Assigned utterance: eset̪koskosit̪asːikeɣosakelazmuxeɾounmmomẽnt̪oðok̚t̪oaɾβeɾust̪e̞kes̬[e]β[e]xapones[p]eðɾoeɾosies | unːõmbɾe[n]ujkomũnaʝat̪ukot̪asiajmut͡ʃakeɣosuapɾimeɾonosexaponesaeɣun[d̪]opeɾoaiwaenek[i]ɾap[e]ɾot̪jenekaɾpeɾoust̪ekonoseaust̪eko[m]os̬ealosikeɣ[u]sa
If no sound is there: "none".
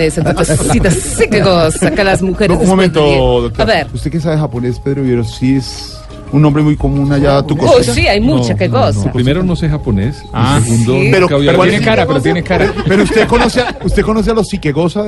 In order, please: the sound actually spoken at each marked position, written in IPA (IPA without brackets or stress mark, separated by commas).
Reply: a, e, p, m, d̪, a, e, n, o